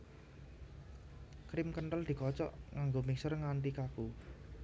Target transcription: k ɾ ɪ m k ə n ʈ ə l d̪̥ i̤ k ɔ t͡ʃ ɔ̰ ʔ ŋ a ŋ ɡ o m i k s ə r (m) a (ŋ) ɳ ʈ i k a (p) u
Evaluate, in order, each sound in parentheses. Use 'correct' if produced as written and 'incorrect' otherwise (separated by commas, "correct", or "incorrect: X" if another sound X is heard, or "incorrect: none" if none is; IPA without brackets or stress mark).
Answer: incorrect: ŋ, incorrect: none, incorrect: k